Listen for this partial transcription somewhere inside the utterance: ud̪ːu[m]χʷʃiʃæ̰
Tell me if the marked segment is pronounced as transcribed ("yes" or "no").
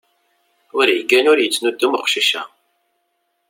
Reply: yes